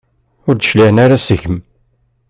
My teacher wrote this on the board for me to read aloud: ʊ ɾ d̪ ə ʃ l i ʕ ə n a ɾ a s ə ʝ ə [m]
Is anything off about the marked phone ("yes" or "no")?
no